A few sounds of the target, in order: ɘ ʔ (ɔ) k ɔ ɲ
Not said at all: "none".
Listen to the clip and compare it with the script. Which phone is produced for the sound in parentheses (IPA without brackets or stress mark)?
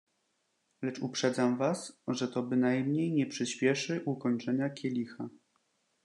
u